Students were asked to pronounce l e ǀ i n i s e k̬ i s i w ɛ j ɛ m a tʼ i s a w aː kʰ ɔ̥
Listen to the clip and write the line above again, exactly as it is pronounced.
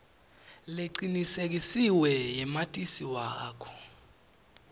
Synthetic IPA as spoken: l e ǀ i n i s e k̬ i s i w ɛ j ɛ m a tʼ i s i w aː kʰ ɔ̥